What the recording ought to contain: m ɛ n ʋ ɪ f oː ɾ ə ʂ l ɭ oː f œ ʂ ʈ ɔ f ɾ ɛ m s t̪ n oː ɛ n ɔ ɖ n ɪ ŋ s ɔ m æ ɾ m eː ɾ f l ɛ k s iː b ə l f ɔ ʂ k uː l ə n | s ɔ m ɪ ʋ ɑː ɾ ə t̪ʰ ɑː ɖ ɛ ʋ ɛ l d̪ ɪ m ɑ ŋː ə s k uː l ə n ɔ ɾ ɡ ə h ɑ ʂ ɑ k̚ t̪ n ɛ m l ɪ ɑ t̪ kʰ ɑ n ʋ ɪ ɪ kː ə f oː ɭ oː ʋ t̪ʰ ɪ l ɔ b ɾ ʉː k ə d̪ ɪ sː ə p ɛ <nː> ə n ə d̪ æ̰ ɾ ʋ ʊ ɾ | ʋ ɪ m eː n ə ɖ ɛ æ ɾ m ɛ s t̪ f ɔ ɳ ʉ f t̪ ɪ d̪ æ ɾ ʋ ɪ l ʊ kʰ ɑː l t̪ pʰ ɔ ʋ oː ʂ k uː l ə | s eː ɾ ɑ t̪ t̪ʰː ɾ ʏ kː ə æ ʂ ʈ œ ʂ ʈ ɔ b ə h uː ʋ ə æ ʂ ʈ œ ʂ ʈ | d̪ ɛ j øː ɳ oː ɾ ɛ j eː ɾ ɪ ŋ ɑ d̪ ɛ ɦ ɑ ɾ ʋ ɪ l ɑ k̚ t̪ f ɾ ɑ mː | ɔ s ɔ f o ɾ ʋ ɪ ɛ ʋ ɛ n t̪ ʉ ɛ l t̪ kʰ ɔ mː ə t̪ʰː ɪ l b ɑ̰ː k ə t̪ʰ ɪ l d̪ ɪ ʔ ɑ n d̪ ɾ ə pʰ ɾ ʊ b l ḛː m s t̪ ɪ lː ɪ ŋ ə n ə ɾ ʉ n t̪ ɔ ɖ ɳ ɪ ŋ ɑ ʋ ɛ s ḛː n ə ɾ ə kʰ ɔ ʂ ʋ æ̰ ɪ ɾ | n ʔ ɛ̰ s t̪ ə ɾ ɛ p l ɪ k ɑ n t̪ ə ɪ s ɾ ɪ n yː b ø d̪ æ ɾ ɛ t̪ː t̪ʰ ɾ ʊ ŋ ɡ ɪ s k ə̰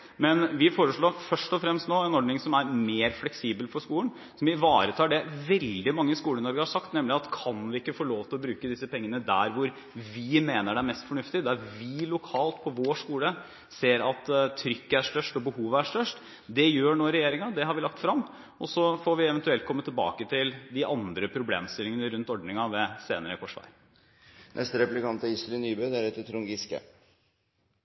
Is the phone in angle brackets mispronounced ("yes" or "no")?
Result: yes